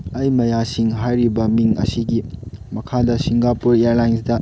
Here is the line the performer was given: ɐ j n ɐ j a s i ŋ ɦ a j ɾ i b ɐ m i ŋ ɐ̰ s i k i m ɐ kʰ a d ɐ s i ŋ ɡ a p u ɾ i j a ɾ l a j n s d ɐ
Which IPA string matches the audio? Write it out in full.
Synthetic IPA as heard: ɐ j m ɐ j a s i ŋ ɦ a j ɾ i b ɐ m i ŋ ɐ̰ s i ɡ i m ɐ kʰ a d ɐ s i ŋ ɡ a p u ɾ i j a ɾ l a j n s d ɐ